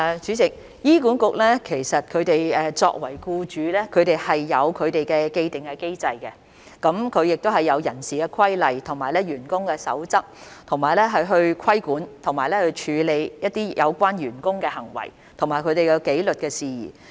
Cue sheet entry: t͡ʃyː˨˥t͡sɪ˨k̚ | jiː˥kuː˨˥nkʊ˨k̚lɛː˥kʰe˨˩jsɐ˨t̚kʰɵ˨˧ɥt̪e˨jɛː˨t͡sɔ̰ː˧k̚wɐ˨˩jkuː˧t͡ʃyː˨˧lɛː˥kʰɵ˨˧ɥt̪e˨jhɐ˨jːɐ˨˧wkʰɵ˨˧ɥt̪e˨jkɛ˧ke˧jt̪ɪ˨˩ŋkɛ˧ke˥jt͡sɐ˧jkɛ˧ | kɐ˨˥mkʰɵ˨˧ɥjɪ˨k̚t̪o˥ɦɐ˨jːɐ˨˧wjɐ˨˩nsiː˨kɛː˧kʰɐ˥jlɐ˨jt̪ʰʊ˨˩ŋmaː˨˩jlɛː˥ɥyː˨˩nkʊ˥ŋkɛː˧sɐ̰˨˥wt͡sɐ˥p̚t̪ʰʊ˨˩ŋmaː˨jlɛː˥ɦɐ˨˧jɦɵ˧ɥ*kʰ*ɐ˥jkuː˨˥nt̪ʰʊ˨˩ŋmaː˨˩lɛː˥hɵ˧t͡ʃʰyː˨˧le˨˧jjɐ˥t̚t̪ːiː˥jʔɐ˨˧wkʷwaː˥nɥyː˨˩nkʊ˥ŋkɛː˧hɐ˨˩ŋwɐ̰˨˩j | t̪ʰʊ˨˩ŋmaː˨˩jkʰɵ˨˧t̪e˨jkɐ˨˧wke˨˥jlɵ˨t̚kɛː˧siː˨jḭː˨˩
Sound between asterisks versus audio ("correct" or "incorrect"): correct